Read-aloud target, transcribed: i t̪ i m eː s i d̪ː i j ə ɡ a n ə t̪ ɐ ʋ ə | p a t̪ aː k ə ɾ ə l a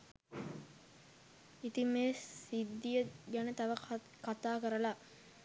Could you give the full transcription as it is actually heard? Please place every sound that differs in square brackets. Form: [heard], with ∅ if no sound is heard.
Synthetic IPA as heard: i t̪ i m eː s i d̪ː i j ə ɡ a n ə t̪ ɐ ʋ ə | [k] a t̪ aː k ə ɾ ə l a

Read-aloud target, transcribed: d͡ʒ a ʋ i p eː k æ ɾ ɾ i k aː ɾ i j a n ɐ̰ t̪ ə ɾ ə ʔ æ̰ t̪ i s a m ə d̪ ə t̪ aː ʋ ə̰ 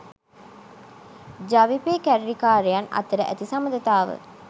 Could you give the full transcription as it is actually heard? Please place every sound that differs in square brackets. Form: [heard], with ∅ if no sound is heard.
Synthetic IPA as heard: d͡ʒ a ʋ i p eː k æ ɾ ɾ i k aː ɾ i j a n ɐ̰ t̪ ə ɾ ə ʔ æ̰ t̪ i s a m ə d̪ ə t̪ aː ʋ ə̰

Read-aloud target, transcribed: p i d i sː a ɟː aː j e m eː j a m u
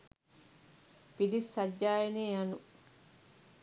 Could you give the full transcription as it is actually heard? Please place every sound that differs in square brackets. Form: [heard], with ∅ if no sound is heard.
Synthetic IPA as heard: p i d i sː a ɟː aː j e [n] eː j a [n] u

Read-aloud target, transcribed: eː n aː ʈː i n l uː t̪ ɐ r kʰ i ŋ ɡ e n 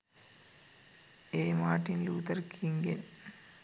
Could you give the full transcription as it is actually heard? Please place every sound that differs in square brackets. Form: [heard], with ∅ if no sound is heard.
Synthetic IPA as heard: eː [m] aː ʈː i n l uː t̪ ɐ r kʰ i ŋ ɡ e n

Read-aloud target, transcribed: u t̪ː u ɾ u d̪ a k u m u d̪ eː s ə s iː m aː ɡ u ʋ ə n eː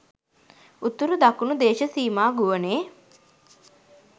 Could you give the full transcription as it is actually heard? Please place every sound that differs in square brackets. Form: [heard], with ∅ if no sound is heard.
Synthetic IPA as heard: u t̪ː u ɾ u d̪ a k u [n] u d̪ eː [ʃ] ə s iː m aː ɡ u ʋ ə n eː

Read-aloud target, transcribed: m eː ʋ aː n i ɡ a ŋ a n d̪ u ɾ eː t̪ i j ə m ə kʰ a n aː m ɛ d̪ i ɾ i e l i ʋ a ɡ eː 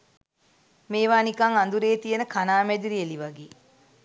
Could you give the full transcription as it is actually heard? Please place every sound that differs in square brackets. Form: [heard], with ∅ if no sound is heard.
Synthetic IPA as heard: m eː ʋ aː n i [k] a ŋ a n d̪ u ɾ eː t̪ i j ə [n] ə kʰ a n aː m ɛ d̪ i ɾ i e l i ʋ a ɡ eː

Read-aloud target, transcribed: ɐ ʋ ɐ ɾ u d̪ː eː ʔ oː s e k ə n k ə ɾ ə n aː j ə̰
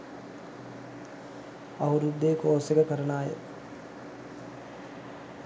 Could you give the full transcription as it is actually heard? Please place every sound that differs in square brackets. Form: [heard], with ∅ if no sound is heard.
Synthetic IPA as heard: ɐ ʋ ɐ ɾ u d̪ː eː [k] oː s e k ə [∅] k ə ɾ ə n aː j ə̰

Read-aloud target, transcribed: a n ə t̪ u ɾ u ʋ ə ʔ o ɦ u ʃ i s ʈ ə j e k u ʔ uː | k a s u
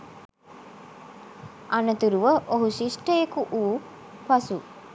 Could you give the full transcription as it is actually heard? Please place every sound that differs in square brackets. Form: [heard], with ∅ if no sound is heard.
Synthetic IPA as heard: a n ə t̪ u ɾ u ʋ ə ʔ o ɦ u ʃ i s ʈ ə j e k u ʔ uː | [p] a s u

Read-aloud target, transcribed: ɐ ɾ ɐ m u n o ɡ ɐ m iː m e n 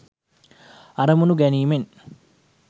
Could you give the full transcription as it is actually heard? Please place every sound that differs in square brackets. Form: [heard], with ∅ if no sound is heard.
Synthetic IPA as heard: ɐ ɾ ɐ m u n [u] ɡ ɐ [n] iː m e n

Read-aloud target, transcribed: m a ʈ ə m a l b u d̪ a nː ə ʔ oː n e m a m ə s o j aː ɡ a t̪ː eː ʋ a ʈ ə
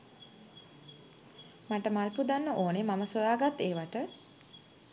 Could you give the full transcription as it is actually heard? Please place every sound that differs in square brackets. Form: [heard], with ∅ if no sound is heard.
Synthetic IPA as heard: m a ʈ ə m a l [p] u d̪ a nː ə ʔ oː n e m a m ə s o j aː ɡ a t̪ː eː ʋ a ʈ ə

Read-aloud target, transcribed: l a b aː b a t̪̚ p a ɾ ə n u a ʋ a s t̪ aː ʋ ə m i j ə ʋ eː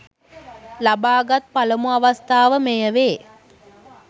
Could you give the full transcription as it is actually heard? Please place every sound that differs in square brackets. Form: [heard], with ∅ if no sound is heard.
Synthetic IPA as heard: l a b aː [ɡ] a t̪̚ p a [l] ə [m] u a ʋ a s t̪ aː ʋ ə m [e] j ə ʋ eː

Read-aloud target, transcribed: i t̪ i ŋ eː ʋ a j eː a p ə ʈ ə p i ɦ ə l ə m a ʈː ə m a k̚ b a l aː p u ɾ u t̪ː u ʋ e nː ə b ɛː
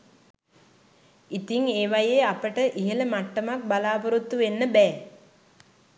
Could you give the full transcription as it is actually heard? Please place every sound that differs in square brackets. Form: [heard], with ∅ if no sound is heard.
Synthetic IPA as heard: i t̪ i ŋ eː ʋ a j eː a p ə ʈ ə [ʔ] i ɦ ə l ə m a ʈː ə m a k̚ b a l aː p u ɾ u t̪ː u ʋ e nː ə b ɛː

